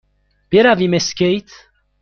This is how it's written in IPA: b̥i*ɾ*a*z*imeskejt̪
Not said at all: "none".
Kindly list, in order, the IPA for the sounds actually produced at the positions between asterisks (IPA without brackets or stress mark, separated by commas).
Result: ɾ, v